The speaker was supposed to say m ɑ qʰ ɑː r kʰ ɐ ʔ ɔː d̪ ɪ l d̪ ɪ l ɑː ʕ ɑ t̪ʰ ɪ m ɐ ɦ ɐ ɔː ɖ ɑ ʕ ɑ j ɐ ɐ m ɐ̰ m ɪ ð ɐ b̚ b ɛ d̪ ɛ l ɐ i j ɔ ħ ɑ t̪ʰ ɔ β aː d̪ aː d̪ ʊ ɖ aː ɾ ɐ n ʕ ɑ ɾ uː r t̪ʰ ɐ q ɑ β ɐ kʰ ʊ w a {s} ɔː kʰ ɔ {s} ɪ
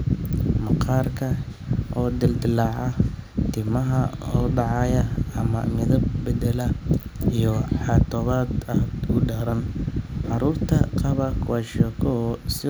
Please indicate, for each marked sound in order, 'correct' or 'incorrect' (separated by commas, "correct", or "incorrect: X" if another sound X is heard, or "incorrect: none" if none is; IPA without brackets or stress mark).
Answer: incorrect: ʃ, correct